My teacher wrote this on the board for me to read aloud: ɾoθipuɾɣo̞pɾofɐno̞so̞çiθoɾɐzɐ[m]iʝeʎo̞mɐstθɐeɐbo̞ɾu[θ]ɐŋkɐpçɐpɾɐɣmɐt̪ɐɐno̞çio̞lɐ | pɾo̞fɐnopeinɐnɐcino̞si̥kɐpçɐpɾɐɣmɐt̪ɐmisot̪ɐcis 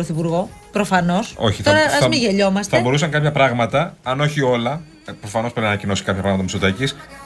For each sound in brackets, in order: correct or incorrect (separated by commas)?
correct, incorrect